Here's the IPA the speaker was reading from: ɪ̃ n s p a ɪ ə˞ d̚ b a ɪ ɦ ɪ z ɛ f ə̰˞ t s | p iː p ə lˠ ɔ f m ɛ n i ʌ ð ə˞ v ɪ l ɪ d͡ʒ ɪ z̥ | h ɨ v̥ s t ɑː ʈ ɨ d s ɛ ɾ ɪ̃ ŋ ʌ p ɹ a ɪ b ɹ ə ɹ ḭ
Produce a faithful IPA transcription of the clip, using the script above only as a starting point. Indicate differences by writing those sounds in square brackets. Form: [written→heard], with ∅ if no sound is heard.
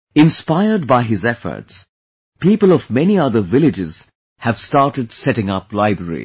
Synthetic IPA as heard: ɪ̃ n s p a ɪ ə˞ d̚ b a ɪ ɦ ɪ z ɛ f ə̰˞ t s | p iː p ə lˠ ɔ [f→v] m ɛ n i ʌ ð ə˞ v ɪ l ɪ d͡ʒ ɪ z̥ | h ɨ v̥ s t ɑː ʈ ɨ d s ɛ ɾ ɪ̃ ŋ ʌ p [ɹ→l] a ɪ b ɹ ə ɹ ḭ